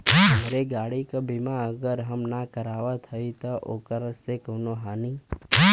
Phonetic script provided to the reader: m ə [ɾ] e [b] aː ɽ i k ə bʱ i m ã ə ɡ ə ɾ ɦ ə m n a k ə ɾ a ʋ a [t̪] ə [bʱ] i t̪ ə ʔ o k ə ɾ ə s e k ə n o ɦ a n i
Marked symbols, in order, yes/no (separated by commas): yes, no, no, no